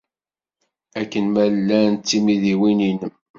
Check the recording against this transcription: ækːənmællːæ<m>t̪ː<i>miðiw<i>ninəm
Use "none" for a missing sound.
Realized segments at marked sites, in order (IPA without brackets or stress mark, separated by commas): n, i, i